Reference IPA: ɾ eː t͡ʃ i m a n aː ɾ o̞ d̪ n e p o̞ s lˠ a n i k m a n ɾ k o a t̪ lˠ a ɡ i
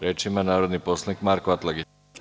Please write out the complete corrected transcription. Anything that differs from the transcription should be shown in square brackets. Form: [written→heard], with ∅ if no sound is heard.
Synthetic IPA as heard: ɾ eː t͡ʃ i m a n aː ɾ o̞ d̪ n [e→i] p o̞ s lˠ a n i k m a [n→∅] ɾ k o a t̪ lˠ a ɡ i